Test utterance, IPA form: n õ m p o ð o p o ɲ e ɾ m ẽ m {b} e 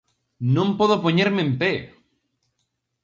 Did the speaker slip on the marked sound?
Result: yes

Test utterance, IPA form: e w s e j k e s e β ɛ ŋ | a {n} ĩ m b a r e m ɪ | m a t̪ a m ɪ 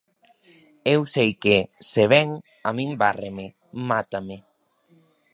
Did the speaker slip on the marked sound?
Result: yes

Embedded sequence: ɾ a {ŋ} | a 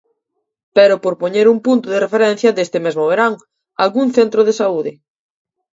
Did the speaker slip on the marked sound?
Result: no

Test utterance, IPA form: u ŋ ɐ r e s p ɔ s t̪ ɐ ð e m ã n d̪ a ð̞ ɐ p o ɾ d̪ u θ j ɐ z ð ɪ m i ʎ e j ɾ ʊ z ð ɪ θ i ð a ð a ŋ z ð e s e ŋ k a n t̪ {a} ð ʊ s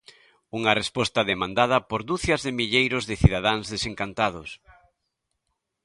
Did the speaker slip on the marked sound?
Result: no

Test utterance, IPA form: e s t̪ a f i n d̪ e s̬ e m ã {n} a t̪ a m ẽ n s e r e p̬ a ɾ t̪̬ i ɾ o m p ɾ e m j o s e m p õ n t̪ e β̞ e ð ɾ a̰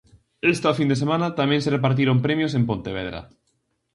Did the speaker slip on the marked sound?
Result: no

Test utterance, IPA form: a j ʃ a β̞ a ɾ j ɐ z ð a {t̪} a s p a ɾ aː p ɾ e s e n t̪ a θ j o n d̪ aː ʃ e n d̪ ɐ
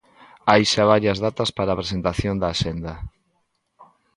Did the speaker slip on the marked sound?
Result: no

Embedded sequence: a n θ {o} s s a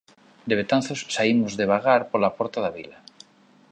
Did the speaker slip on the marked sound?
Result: no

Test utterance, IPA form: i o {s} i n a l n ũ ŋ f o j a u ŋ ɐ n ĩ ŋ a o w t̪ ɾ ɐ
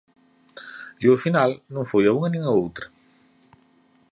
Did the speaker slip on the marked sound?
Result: yes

